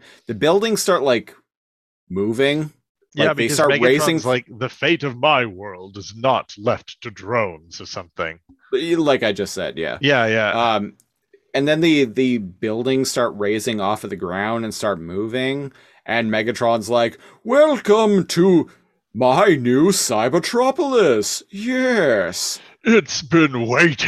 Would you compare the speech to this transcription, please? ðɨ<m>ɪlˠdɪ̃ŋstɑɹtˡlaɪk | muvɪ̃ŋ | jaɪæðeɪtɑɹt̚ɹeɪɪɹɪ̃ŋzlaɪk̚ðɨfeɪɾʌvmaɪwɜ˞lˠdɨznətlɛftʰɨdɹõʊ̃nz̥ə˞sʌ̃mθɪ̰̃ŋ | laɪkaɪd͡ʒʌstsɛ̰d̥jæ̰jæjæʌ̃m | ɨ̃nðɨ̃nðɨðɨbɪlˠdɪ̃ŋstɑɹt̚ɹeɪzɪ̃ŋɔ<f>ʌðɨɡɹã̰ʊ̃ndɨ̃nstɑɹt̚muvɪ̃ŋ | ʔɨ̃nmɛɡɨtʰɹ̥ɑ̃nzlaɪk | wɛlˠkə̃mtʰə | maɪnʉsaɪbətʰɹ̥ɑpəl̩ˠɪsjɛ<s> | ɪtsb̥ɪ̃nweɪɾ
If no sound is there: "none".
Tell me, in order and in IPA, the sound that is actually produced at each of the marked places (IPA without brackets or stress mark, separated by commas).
b, f, s